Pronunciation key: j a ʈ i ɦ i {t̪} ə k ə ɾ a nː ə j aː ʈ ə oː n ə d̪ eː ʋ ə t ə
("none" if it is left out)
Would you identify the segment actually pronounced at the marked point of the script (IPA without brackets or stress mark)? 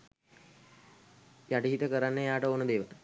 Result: t̪